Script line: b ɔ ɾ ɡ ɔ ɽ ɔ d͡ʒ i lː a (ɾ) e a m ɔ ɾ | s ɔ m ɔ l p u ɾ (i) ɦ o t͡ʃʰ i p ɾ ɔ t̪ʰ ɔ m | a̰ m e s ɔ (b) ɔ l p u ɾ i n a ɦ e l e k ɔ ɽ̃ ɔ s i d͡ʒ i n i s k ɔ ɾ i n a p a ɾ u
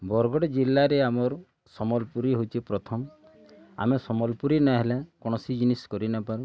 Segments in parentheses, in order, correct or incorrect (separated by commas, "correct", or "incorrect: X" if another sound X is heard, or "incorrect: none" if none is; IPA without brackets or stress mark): correct, correct, incorrect: m